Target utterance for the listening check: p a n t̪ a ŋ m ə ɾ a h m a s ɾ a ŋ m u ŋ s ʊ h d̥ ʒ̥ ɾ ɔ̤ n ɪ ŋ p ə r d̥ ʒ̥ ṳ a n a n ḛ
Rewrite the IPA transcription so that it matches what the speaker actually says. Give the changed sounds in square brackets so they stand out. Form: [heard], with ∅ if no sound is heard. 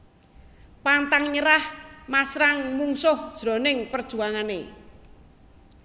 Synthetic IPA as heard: p a n t̪ a ŋ [ɲ] ə ɾ a h m a s ɾ a ŋ m u ŋ s ʊ h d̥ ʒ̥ ɾ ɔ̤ n ɪ ŋ p ə r d̥ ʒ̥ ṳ a [ŋ] a n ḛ